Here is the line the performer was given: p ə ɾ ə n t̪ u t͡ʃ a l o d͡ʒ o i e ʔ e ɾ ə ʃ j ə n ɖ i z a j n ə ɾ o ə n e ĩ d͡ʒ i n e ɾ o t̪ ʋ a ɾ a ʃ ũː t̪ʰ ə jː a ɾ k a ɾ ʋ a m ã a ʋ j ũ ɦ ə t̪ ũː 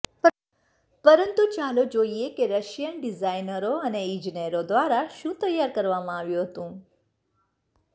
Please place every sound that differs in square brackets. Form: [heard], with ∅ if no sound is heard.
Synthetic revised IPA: p ə ɾ ə n t̪ u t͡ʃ a l o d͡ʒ o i e [k] e ɾ ə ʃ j ə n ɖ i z a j n ə ɾ o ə n e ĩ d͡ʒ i n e ɾ o [d̪] ʋ a ɾ a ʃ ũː [t̪] ə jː a ɾ k [ə] ɾ ʋ a m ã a ʋ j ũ ɦ ə t̪ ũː

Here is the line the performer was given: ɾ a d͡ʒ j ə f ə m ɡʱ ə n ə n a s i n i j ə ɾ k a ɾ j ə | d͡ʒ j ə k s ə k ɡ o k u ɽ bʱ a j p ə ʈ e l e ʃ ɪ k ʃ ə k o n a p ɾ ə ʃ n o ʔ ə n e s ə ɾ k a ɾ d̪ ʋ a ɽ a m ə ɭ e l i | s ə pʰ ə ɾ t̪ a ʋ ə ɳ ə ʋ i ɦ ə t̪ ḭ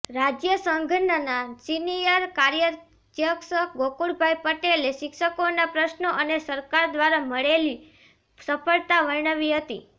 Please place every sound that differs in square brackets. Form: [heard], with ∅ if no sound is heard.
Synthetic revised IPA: ɾ a d͡ʒ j ə [s] ə [ŋ] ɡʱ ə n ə n a s i n i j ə ɾ k a ɾ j ə | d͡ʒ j ə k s ə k ɡ o k u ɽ bʱ a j p ə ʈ e l e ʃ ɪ k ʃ ə k o n a p ɾ ə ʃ n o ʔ ə n e s ə ɾ k a ɾ d̪ ʋ a [ɾ] a m ə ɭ e l i | s ə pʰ ə [ɭ] t̪ a ʋ ə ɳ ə ʋ i ɦ ə t̪ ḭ

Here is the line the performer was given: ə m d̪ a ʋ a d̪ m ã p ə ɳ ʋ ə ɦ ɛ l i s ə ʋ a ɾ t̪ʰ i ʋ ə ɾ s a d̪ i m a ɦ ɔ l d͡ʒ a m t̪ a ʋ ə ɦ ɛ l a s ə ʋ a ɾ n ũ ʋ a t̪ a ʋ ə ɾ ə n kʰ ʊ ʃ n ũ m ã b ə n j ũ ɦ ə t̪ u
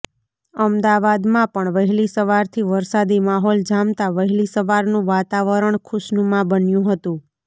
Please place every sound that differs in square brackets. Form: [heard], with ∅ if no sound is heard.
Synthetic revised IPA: ə m d̪ a ʋ a d̪ m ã p ə ɳ ʋ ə ɦ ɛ l i s ə ʋ a ɾ t̪ʰ i ʋ ə ɾ s a d̪ i m a ɦ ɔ l d͡ʒ a m t̪ a ʋ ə ɦ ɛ l [i] s ə ʋ a ɾ n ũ ʋ a t̪ a ʋ ə ɾ ə [ɳ] kʰ ʊ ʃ n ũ m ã b ə n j ũ ɦ ə t̪ [ũ]

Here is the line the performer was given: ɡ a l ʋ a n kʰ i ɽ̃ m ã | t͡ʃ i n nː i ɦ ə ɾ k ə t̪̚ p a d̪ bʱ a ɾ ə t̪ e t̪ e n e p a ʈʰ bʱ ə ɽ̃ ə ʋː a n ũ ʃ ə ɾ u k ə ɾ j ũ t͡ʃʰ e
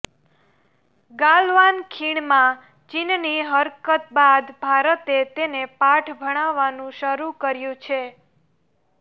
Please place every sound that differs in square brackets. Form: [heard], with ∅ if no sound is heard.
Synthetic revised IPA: ɡ a l ʋ a n kʰ i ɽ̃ m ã | t͡ʃ i n [n] i ɦ ə ɾ k ə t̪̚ [b] a d̪ bʱ a ɾ ə t̪ e t̪ e n e p a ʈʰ bʱ ə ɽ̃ [a] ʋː a n ũ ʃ ə ɾ u k ə ɾ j ũ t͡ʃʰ e

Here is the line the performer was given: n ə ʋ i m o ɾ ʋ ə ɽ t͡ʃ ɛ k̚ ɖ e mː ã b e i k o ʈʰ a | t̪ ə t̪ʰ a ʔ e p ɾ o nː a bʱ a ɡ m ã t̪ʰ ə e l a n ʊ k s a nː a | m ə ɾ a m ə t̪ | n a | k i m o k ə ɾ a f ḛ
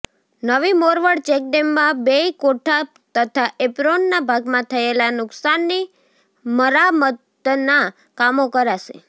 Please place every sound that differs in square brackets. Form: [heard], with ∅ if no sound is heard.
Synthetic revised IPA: n ə ʋ i m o ɾ ʋ ə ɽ t͡ʃ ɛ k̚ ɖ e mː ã b e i k o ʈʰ a | t̪ ə t̪ʰ a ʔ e p ɾ o nː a bʱ a ɡ m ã t̪ʰ ə e l a n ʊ k s a nː [i] | m ə ɾ a m ə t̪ | n a | k [a] m o k ə ɾ a [ʃ] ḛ

